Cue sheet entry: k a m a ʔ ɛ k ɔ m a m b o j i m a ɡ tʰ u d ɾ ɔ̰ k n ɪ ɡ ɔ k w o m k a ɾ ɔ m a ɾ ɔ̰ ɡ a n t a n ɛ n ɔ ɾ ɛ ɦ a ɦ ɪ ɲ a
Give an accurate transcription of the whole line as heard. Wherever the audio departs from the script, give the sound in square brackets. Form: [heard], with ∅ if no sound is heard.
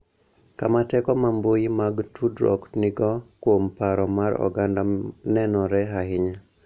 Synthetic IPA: k a m a [t] ɛ k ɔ m a m b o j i m a ɡ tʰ u d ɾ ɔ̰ k n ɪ ɡ ɔ k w o m [p] a ɾ ɔ m a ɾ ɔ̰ ɡ a n [d] a n ɛ n ɔ ɾ ɛ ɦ a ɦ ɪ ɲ a